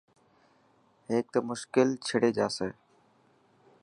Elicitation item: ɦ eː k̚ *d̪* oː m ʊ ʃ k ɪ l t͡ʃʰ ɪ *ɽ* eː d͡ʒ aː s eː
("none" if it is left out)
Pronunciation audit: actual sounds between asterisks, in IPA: t̪, ɽ

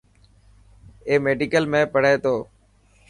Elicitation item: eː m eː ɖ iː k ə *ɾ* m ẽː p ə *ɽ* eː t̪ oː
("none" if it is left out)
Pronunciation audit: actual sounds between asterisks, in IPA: l, ɽ

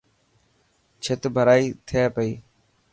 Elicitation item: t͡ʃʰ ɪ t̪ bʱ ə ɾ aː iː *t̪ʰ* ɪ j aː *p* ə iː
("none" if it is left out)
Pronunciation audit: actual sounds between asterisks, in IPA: t̪ʰ, p

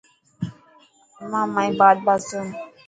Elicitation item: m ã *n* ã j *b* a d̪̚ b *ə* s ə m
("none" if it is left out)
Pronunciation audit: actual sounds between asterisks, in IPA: m, b, a

